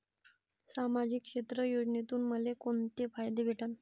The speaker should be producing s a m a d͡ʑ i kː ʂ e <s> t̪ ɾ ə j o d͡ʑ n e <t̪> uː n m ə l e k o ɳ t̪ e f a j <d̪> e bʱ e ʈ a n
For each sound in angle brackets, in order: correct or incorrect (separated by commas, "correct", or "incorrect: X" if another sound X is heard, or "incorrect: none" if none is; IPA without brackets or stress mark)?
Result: incorrect: none, correct, correct